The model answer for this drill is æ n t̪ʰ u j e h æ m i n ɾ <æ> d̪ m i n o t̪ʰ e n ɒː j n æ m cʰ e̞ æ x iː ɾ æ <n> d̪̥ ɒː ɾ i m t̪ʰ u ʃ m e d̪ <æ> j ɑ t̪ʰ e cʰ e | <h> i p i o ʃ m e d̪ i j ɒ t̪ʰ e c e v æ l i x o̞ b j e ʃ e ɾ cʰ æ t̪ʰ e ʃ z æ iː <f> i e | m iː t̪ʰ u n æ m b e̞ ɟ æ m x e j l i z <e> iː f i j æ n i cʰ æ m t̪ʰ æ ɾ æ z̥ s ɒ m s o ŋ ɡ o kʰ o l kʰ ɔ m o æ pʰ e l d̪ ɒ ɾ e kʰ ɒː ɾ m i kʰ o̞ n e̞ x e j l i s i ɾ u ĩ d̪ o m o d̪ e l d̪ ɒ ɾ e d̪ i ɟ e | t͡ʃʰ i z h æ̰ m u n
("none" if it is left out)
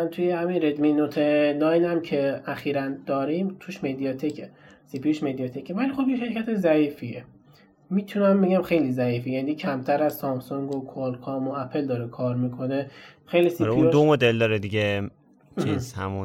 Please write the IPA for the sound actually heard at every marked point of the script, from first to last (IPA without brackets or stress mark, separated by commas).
e, n, i, s, f, æ